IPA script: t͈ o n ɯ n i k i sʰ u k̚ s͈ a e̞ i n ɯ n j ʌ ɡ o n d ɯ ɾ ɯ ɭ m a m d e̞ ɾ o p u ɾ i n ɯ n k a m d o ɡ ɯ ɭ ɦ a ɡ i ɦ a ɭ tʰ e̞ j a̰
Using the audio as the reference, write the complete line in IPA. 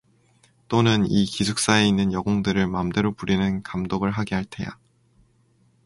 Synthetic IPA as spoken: t͈ o n ɯ n i k i sʰ u k̚ s͈ a e̞ i nː ɯ n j ʌ ɡ o ŋ d ɯ ɾ ɯ ɭ m a m d e̞ ɾ o p u ɾ i n ɯ n k a m d o ɡ ɯ ɭ ɦ a ɡ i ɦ a ɭ tʰ e̞ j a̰